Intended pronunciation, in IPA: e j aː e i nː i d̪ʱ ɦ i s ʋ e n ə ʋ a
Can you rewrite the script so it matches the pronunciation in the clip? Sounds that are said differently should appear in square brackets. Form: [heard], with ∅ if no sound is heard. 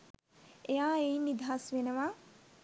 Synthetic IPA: e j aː e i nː i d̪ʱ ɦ [a] s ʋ e n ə ʋ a